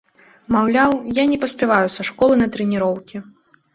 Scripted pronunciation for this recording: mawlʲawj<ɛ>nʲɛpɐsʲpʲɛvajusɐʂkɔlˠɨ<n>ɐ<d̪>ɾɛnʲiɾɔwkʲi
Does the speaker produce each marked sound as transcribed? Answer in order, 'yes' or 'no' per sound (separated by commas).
no, yes, no